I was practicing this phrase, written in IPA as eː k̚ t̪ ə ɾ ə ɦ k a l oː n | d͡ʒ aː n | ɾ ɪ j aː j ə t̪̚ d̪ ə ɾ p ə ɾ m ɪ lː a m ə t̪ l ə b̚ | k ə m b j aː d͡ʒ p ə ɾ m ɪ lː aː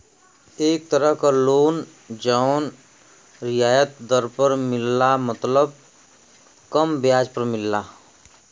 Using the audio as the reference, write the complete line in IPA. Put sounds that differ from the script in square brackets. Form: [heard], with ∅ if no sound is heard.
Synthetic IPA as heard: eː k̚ t̪ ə ɾ ə ɦ k a l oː n | d͡ʒ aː n | ɾ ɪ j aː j ə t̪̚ d̪ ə ɾ p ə ɾ m ɪ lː a m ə t̪ l ə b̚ | k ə m b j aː d͡ʒ p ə ɾ m ɪ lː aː

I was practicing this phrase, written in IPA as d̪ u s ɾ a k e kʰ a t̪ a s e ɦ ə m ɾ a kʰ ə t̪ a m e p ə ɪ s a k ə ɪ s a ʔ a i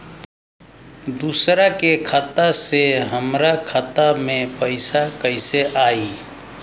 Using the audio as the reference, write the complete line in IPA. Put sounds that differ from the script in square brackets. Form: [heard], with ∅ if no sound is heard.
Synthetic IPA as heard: d̪ u s ɾ a k e kʰ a t̪ a s e ɦ ə m ɾ a kʰ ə t̪ a m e p ə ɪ s a k ə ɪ s [e] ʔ a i

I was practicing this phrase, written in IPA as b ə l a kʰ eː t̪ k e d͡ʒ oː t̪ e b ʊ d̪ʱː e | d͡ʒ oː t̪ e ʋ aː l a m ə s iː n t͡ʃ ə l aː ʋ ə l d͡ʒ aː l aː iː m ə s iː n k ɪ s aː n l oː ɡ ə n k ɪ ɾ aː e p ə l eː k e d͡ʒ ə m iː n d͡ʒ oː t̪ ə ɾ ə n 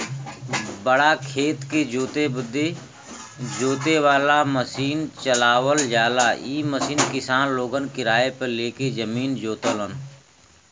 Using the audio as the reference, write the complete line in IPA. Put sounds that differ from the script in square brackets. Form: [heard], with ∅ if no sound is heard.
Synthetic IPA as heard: b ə [ɽ] a kʰ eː t̪ k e d͡ʒ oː t̪ e b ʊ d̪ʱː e | d͡ʒ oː t̪ e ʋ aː l a m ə s iː n t͡ʃ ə l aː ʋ ə l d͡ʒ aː l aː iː m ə s iː n k ɪ s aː n l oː ɡ ə n k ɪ ɾ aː e p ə l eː k e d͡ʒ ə m iː n d͡ʒ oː t̪ ə [l] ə n

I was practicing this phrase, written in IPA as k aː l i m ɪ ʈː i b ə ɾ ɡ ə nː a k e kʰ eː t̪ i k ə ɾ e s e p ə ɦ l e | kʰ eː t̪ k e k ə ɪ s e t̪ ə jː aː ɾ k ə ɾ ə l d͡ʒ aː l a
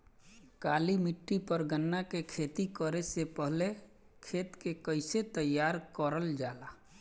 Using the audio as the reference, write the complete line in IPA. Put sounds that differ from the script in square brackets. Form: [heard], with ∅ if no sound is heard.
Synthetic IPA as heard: k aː l i m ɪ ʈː i [p] ə ɾ ɡ ə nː a k e kʰ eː t̪ i k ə ɾ e s e p ə ɦ l e | kʰ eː t̪ k e k ə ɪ s e t̪ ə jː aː ɾ k ə ɾ ə l d͡ʒ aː l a

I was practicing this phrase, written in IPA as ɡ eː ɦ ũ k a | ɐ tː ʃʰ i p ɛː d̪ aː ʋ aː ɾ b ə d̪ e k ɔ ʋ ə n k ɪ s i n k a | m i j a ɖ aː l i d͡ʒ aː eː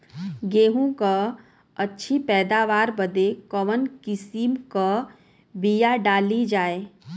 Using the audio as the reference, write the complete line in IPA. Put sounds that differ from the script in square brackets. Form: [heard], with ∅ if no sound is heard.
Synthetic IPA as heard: ɡ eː ɦ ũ k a | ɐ tː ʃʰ i p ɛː d̪ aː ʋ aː ɾ b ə d̪ e k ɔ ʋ ə n k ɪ s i [m] k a | [b] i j a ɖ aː l i d͡ʒ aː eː

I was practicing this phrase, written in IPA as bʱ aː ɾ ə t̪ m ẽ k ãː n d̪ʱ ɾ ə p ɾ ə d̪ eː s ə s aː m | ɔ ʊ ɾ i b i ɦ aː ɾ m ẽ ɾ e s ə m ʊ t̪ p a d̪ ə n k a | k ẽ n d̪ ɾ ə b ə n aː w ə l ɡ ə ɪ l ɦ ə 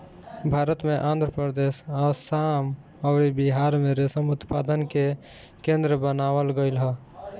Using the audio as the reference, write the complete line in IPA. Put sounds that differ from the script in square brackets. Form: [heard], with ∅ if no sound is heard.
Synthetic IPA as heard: bʱ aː ɾ ə t̪ m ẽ [ʔ] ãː n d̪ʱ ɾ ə p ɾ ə d̪ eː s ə s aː m | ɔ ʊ ɾ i b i ɦ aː ɾ m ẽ ɾ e s ə m ʊ t̪ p a d̪ ə n k [e] | k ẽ n d̪ ɾ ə b ə n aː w ə l ɡ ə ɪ l ɦ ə

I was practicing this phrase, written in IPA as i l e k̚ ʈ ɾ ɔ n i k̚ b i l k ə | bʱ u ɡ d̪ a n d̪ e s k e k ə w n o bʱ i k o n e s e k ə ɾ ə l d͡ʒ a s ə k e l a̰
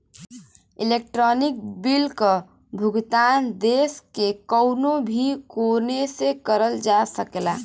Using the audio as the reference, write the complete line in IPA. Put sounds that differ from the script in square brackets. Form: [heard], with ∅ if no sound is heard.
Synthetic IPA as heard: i l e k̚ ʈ ɾ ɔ n i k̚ b i l k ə | bʱ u ɡ [t̪] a n d̪ e s k e k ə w n o bʱ i k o n e s e k ə ɾ ə l d͡ʒ a s ə k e l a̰

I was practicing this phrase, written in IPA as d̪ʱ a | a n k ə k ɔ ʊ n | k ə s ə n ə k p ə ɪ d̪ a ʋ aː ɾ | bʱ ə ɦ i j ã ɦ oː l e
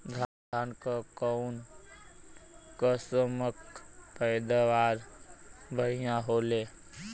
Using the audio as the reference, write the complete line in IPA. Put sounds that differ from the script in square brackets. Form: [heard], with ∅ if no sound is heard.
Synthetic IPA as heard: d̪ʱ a | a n k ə k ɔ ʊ n | k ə s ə [m] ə k p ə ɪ d̪ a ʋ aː ɾ | bʱ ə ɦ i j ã ɦ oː l e

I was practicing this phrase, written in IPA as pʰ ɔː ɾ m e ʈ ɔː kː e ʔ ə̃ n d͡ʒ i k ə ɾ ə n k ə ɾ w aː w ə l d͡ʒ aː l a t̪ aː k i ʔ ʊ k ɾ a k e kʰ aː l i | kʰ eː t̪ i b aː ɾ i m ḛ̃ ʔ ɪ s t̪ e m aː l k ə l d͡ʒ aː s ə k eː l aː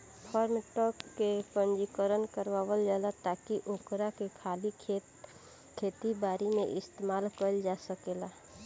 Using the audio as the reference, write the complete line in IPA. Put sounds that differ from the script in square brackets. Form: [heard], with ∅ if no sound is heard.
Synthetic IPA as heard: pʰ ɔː ɾ m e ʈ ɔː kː e [p] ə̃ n d͡ʒ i k ə ɾ ə n k ə ɾ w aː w ə l d͡ʒ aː l a t̪ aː k i ʔ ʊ k ɾ a k e kʰ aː l i | kʰ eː t̪ i b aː ɾ i m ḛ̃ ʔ ɪ s t̪ e m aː l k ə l d͡ʒ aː s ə k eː l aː

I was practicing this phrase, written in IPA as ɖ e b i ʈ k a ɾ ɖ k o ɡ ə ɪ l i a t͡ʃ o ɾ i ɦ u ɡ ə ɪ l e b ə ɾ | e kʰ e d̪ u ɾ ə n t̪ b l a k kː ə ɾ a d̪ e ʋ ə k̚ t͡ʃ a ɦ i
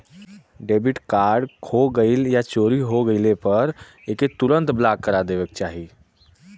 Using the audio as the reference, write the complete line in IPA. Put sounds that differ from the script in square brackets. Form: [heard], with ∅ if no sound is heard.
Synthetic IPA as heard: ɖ e b i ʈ k a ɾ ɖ [kʰ] o ɡ ə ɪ l [j] a t͡ʃ o ɾ i ɦ [o] ɡ ə ɪ l e [p] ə ɾ | e [k] e [t̪] u ɾ ə n t̪ b l a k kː ə ɾ a d̪ e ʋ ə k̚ t͡ʃ a ɦ i

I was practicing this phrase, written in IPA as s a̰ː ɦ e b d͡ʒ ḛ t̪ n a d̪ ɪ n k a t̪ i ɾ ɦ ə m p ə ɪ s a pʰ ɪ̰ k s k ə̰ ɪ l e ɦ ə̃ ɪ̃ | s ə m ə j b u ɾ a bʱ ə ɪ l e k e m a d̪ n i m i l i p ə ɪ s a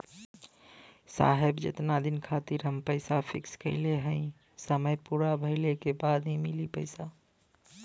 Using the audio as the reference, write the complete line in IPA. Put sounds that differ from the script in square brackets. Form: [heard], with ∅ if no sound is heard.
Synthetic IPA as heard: s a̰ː ɦ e b d͡ʒ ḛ t̪ n a d̪ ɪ n [kʰ] a t̪ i ɾ ɦ ə m p ə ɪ s a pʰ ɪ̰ k s k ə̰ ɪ l e ɦ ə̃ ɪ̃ | s ə m ə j [p] u ɾ a bʱ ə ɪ l e k e [b] a d̪ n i m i l i p ə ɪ s a

